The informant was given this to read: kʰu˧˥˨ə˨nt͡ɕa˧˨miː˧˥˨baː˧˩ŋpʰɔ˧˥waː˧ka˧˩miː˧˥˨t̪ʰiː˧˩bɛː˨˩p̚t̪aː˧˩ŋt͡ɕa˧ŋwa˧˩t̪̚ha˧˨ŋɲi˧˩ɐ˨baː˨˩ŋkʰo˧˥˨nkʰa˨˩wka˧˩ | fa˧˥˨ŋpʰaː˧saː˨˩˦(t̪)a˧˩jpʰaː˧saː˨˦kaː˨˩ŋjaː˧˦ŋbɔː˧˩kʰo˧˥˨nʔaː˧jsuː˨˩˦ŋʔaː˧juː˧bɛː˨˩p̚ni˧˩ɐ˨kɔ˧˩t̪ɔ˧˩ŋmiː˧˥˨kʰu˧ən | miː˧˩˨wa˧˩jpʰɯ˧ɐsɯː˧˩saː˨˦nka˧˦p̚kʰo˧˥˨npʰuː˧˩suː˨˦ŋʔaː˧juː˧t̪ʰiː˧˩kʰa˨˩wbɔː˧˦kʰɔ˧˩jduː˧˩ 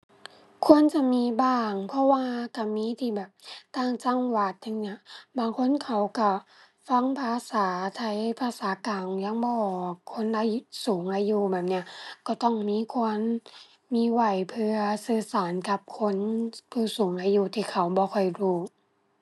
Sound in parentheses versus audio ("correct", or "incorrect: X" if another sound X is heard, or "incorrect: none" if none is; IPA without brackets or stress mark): incorrect: t̪ʰ